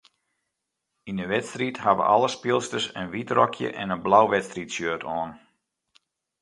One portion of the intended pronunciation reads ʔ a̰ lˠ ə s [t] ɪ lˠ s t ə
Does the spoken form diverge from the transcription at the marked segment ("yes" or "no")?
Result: yes